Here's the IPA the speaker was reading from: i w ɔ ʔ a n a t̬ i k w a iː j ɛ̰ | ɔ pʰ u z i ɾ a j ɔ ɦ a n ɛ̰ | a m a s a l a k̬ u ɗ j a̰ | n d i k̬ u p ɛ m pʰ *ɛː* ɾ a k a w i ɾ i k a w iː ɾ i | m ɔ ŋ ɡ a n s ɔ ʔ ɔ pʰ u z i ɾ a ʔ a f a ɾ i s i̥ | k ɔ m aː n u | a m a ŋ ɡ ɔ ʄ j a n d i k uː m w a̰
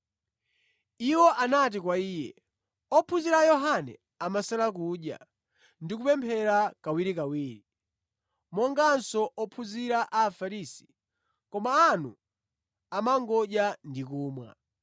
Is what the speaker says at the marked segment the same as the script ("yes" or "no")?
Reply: no